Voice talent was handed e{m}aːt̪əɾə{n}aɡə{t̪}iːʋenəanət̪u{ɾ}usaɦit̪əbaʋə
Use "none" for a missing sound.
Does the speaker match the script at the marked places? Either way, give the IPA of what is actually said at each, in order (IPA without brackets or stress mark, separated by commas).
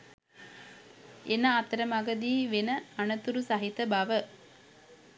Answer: n, m, d̪, ɾ